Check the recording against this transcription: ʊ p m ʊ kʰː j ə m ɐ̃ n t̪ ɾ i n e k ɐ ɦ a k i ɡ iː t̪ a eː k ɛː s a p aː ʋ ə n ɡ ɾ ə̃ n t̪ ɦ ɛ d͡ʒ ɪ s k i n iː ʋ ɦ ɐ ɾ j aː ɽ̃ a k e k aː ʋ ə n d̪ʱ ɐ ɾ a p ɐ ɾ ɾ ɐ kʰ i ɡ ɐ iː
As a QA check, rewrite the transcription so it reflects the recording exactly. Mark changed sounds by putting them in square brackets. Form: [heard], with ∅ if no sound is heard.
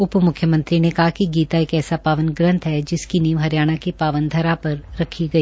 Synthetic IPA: ʊ p m ʊ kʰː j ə m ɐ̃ n t̪ ɾ i n e k ɐ ɦ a k i ɡ iː t̪ a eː k ɛː s a p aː ʋ ə n ɡ ɾ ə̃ n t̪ ɦ ɛ d͡ʒ ɪ s k i n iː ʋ ɦ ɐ ɾ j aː ɽ̃ a k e [p] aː ʋ ə n d̪ʱ ɐ ɾ a p ɐ ɾ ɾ ɐ kʰ i ɡ ɐ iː